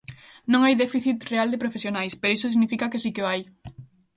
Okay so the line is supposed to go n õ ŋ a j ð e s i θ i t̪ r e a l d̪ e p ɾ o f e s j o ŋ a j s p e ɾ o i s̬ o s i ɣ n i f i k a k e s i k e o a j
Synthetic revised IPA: n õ ŋ a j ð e f i θ i t̪ r e a l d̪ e p ɾ o f e s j o n a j s p e ɾ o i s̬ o s i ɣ n i f i k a k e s i k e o a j